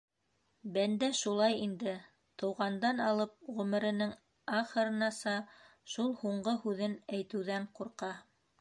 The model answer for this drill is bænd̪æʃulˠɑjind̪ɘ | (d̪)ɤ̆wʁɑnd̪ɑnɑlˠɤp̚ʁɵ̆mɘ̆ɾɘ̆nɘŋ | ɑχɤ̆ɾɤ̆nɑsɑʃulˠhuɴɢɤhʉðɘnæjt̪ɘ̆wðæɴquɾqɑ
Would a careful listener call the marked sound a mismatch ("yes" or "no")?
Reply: yes